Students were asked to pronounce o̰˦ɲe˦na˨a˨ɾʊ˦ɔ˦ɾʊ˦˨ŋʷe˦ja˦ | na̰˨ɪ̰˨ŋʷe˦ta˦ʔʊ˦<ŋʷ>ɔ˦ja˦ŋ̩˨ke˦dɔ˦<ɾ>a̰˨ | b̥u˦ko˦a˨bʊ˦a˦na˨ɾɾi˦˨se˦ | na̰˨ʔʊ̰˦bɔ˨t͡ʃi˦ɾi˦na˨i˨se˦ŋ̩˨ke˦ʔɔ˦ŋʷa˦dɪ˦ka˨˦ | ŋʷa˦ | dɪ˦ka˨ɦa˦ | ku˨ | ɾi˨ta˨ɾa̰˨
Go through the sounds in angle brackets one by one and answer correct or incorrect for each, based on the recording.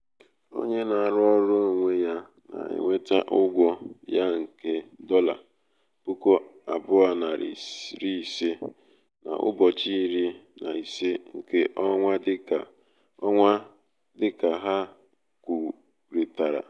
incorrect: ɡʷ, incorrect: l

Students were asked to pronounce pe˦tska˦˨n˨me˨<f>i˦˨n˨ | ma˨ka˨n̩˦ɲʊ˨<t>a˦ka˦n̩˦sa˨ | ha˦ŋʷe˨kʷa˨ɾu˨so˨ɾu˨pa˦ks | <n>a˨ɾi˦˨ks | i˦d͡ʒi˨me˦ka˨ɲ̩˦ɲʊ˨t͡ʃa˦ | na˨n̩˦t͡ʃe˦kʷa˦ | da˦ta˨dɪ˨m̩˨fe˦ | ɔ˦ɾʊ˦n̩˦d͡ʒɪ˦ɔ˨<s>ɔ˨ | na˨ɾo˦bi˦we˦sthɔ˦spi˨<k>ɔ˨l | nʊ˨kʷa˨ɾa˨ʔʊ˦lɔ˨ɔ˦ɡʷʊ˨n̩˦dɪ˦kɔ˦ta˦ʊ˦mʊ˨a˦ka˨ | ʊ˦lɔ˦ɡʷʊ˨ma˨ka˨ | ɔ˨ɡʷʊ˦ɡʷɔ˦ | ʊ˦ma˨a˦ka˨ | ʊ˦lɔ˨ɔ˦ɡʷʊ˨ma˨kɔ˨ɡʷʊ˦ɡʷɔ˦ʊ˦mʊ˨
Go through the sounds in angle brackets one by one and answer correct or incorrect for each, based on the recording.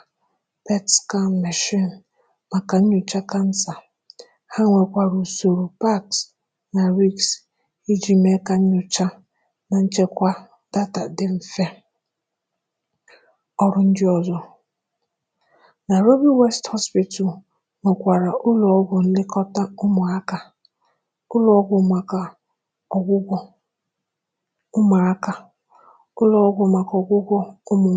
incorrect: ʃ, incorrect: t͡ʃ, correct, incorrect: z, incorrect: t

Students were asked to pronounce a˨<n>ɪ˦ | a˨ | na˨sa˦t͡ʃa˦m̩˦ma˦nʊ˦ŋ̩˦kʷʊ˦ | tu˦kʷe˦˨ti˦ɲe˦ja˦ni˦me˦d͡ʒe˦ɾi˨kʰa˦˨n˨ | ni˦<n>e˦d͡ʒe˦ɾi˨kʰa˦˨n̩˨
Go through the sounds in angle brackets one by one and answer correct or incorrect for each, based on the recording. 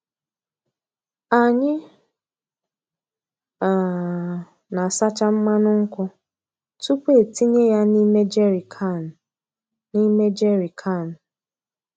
incorrect: ɲ, incorrect: m

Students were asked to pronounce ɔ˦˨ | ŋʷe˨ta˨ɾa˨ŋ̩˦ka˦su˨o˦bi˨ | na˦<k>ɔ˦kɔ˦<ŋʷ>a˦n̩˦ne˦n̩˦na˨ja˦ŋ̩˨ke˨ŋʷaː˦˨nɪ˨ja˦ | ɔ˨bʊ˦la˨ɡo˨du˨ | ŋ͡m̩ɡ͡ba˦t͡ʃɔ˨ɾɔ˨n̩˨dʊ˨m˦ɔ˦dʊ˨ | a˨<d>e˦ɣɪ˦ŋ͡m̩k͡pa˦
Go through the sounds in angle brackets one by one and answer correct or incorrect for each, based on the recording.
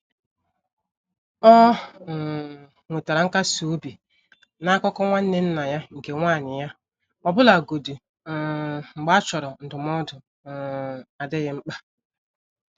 correct, correct, correct

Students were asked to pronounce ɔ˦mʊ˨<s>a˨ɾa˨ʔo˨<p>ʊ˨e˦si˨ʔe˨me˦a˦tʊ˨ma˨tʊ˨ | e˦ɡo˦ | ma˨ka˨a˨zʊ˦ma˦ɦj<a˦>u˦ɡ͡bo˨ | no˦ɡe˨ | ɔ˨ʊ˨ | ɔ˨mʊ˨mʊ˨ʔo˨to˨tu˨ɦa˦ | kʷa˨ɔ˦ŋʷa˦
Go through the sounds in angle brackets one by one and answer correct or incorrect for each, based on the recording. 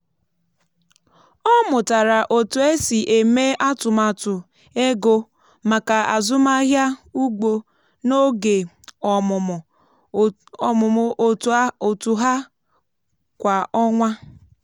incorrect: t, incorrect: t, correct

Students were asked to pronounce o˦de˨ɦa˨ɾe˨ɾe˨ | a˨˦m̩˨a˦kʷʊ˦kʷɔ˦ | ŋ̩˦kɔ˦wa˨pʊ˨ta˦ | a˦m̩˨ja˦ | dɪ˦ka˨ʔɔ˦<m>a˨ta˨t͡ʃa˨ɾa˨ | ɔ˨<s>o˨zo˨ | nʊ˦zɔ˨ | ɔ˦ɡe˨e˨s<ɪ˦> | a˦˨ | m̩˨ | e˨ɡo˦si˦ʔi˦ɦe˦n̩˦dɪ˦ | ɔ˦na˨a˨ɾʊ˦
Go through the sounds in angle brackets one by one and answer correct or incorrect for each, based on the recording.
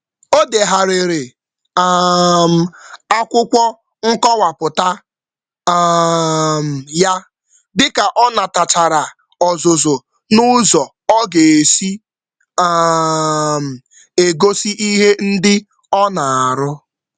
incorrect: n, incorrect: z, incorrect: i˦

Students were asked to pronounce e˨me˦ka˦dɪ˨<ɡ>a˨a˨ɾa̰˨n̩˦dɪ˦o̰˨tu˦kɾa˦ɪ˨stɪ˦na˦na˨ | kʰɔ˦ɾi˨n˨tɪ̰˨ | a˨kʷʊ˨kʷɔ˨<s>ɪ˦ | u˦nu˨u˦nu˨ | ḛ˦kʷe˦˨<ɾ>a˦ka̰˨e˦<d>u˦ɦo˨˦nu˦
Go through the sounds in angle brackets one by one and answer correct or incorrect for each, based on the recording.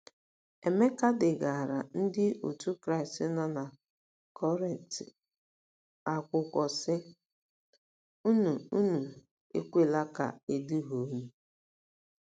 correct, correct, incorrect: l, correct

